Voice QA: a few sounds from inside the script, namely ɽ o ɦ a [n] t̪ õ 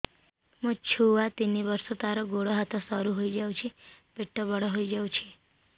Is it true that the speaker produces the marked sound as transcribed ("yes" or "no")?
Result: no